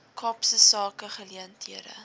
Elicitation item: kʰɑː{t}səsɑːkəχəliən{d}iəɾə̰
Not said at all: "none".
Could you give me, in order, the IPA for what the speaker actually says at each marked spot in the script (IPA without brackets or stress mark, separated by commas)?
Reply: p, t